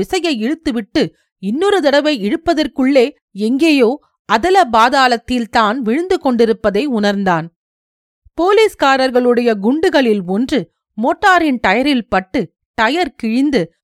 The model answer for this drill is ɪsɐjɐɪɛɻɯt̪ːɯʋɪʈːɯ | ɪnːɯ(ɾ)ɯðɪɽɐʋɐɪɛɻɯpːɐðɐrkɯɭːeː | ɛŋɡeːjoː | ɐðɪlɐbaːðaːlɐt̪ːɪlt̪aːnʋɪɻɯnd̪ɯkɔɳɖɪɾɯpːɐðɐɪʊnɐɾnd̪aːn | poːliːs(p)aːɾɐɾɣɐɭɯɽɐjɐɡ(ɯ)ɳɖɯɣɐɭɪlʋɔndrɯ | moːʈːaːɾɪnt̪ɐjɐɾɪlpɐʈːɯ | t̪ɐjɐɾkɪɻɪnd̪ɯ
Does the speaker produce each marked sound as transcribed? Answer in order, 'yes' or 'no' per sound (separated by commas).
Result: yes, no, no